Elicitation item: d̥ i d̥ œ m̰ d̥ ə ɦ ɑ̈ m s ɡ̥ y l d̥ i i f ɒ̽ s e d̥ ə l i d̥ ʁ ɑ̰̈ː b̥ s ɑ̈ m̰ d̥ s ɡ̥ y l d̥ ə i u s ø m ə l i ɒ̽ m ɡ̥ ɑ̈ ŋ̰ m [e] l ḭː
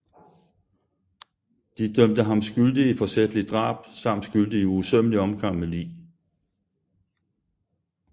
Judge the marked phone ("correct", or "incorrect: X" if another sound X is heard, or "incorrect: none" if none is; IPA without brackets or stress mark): correct